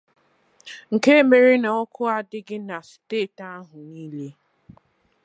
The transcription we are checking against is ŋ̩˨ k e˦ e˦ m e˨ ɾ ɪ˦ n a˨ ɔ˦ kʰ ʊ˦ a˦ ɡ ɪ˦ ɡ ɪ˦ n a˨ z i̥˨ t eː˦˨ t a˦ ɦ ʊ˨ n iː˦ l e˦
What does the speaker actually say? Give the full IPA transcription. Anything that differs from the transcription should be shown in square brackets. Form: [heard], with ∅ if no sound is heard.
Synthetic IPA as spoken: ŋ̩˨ k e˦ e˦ m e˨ ɾ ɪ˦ n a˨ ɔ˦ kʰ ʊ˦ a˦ [d] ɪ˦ ɡ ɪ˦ n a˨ [s] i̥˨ t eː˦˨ t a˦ ɦ ʊ˨ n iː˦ l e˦